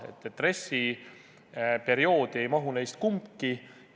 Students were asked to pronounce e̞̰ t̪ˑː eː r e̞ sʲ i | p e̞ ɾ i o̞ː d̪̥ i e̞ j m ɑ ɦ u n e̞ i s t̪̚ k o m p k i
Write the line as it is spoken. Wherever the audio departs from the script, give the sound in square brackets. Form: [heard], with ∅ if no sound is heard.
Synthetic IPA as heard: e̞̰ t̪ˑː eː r e̞ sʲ i | p e̞ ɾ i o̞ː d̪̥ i e̞ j m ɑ ɦ u n e̞ [j] s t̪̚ k [u] m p k i